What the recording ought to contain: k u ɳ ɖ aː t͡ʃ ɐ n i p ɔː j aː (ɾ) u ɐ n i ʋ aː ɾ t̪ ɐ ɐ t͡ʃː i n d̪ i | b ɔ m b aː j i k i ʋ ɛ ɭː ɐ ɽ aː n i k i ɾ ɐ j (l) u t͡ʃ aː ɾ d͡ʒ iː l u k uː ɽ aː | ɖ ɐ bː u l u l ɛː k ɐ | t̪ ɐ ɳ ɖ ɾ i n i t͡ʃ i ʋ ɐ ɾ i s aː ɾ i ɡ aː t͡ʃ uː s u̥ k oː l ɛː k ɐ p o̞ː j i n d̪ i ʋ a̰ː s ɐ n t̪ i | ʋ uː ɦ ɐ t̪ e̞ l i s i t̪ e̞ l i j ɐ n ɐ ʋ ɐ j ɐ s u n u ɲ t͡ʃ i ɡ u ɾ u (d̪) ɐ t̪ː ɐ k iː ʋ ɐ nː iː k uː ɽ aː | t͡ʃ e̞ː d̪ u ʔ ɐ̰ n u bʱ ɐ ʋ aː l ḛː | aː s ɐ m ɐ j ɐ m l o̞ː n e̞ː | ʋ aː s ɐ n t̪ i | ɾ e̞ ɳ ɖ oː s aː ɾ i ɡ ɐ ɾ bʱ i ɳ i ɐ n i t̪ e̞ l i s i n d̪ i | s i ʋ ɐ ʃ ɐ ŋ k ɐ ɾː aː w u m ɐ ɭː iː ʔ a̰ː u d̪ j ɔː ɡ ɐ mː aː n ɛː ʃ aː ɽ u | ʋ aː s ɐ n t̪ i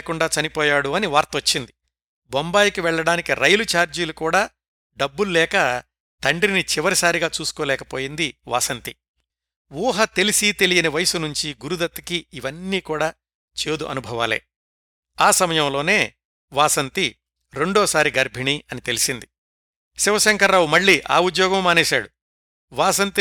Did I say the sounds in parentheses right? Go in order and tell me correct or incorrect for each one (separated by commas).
incorrect, correct, correct